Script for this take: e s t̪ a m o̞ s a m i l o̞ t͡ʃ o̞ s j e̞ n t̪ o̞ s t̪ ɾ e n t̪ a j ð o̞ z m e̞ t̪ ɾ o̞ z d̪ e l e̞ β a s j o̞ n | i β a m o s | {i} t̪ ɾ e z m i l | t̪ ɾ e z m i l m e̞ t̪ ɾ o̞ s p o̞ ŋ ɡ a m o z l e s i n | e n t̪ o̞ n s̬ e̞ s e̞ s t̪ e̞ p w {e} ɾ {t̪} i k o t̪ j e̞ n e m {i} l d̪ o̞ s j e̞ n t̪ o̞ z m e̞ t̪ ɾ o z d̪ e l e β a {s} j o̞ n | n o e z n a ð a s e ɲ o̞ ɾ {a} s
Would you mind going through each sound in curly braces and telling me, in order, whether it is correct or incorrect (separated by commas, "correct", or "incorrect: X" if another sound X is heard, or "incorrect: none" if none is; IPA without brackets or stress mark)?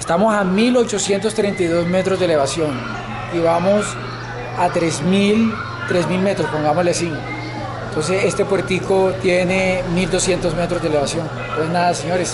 incorrect: a, correct, correct, correct, correct, incorrect: e